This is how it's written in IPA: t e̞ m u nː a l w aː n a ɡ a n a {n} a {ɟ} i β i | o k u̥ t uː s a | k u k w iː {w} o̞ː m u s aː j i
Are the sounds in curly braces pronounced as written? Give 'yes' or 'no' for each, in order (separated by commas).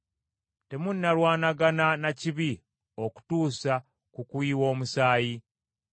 yes, no, yes